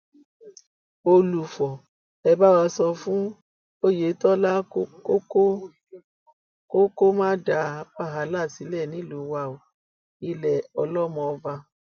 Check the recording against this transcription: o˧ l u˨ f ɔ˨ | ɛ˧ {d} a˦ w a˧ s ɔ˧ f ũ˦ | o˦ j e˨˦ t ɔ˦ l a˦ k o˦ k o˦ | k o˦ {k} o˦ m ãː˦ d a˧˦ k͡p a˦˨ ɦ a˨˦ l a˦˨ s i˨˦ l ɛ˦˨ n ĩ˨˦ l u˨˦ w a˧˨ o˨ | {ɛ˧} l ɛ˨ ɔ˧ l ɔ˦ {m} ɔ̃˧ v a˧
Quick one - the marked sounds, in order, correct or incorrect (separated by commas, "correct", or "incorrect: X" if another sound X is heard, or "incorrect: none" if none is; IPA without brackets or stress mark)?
incorrect: b, correct, incorrect: i˧, correct